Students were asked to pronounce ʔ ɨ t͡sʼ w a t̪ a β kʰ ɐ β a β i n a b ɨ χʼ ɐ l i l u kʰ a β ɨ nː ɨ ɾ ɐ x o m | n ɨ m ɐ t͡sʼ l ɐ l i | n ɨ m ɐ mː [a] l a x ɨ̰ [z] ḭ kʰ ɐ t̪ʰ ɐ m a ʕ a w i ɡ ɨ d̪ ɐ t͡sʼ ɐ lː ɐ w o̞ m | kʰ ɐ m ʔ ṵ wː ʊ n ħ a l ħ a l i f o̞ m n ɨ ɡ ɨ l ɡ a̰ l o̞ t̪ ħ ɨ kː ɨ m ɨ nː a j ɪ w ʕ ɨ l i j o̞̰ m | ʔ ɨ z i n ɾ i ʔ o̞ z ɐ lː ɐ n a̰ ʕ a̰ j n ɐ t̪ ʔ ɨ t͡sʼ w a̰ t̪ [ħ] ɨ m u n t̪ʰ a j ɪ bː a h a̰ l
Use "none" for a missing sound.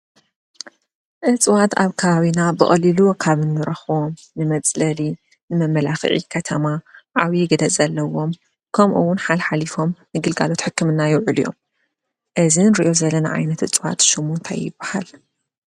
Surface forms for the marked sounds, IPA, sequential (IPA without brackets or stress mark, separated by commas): ɐ, ʕ, ʃ